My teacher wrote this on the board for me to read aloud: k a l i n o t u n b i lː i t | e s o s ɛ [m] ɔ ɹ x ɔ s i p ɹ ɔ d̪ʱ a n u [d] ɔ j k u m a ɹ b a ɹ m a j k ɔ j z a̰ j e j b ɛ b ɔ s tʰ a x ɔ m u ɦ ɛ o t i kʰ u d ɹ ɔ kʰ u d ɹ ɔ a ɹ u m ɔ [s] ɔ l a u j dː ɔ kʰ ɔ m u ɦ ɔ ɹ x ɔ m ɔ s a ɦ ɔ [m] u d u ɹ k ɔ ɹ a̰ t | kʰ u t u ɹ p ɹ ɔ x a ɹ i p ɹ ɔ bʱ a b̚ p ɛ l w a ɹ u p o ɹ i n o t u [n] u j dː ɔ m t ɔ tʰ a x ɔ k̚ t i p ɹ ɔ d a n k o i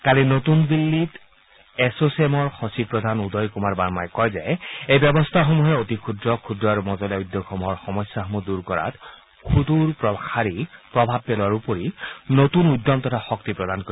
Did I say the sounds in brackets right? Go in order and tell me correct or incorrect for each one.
correct, correct, incorrect: z, correct, correct

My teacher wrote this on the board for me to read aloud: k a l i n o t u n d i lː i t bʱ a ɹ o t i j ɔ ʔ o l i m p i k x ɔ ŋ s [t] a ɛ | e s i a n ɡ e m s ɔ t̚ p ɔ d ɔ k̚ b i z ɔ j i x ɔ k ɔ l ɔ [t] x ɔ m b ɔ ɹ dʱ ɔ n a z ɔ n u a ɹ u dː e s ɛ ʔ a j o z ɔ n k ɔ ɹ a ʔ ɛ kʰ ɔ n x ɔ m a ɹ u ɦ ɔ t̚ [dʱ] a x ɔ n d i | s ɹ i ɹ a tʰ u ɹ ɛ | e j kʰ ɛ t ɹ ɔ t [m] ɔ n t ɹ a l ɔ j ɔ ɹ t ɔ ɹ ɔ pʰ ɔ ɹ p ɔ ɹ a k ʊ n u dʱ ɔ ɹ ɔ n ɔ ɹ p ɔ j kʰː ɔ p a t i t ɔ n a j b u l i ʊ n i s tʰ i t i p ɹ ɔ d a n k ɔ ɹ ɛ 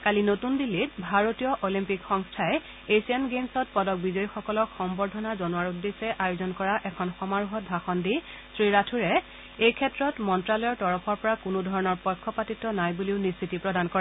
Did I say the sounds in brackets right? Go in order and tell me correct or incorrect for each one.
incorrect: tʰ, incorrect: k, incorrect: bʱ, correct

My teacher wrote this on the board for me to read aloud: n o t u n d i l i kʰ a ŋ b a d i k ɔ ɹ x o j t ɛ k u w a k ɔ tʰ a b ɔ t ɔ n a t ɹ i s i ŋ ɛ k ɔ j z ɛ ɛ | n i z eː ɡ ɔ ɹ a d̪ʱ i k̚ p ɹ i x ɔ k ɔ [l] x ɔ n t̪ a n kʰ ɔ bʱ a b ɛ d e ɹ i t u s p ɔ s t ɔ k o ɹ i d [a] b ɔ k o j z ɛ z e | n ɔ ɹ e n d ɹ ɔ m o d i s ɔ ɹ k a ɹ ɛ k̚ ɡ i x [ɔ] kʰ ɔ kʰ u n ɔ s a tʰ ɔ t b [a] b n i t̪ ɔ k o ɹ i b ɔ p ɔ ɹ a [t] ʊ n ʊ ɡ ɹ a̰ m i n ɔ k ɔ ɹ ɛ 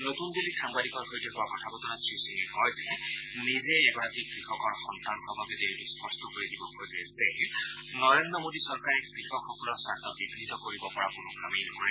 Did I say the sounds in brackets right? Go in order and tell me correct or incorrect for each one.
incorrect: ɹ, incorrect: i, correct, incorrect: i, incorrect: k

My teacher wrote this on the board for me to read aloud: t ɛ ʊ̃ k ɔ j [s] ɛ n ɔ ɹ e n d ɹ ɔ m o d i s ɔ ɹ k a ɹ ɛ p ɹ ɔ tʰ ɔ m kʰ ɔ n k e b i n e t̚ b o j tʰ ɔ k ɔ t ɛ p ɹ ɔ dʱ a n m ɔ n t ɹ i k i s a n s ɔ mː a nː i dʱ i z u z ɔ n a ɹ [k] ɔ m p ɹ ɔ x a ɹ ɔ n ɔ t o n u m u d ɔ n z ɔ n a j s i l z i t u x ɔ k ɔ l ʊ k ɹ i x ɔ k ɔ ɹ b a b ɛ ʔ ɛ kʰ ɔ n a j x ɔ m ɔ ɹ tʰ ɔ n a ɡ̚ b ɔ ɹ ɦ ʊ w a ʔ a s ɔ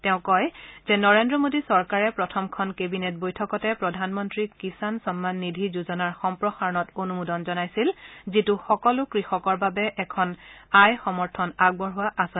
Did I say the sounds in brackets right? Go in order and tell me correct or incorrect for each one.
incorrect: z, incorrect: x

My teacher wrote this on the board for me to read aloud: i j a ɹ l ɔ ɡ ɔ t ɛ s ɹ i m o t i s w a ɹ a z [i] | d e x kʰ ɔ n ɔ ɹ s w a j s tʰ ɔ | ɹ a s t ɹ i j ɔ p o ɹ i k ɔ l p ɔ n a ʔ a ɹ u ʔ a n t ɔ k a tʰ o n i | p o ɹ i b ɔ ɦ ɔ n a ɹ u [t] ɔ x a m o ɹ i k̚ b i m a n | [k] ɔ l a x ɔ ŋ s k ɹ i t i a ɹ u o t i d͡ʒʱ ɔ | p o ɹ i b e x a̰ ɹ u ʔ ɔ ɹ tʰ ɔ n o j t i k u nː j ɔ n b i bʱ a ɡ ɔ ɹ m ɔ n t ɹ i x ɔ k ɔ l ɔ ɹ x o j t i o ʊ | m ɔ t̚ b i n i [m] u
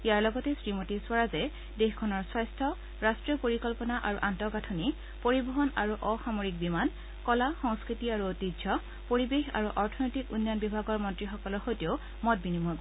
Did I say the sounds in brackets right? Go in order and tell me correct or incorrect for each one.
incorrect: ɛ, incorrect: ʔ, correct, correct

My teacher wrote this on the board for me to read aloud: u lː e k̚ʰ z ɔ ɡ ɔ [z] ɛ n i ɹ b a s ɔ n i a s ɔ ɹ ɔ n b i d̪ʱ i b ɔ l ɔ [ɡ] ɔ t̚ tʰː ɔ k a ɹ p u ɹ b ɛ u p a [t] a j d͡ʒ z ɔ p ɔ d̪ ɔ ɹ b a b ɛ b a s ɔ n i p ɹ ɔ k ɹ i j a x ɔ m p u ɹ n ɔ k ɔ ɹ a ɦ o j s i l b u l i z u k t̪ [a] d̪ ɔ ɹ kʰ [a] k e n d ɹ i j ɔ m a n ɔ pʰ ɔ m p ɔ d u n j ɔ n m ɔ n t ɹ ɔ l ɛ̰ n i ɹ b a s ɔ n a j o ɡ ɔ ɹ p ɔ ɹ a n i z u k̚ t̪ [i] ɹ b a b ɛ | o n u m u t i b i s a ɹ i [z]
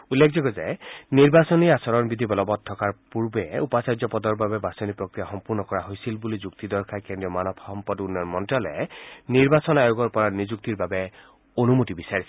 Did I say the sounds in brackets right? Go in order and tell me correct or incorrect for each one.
correct, incorrect: b, incorrect: s, incorrect: i, correct, correct, incorrect: s

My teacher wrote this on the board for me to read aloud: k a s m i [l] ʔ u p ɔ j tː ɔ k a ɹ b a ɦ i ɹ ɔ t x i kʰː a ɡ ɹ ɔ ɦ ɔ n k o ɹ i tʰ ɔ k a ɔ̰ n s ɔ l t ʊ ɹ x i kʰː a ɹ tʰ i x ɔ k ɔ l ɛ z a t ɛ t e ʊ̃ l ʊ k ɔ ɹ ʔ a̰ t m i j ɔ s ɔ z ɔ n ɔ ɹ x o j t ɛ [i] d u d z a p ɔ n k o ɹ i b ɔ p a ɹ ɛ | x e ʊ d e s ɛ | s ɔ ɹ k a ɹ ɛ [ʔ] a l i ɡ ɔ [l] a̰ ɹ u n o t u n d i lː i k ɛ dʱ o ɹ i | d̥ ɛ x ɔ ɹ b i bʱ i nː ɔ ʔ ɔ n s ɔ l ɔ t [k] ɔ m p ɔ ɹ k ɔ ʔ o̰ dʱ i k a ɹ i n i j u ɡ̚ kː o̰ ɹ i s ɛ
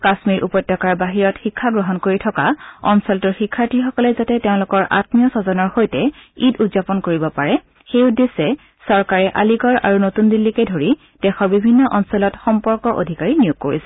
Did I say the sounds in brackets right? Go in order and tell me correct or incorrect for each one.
incorrect: ɹ, correct, correct, incorrect: ɹ, incorrect: x

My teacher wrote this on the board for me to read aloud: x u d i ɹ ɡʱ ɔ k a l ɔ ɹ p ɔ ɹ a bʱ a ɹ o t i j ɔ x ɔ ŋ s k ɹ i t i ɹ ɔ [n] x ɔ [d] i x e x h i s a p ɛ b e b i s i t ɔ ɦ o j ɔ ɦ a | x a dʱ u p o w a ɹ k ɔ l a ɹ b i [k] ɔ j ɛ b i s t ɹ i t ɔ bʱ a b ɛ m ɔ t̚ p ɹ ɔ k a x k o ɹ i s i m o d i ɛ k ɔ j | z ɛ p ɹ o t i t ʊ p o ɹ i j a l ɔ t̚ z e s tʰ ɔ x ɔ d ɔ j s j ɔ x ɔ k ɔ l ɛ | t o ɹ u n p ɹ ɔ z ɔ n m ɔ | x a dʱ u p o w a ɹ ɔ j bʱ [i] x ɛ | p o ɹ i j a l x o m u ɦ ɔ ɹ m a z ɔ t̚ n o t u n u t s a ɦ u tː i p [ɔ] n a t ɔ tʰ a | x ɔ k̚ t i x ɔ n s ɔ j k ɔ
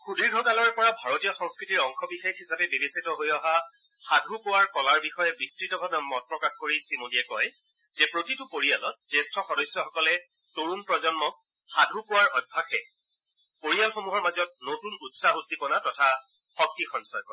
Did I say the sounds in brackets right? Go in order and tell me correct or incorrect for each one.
incorrect: ŋ, incorrect: b, incorrect: x, incorrect: a, correct

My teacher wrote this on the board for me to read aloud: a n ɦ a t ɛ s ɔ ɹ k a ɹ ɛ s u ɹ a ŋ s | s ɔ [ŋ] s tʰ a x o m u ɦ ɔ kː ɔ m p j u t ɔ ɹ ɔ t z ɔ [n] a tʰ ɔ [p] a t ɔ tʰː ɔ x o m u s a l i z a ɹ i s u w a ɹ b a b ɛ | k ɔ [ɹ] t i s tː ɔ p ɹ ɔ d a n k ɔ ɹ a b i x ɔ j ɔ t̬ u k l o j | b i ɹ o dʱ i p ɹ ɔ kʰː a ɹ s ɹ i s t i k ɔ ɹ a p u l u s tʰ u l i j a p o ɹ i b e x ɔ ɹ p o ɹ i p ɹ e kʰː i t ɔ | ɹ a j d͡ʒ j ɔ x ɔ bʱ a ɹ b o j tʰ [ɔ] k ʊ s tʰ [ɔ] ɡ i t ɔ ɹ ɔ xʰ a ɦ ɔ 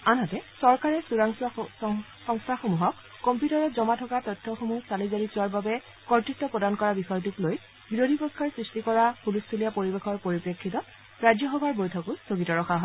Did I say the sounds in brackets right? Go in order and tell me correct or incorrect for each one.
correct, incorrect: m, incorrect: k, correct, correct, incorrect: o

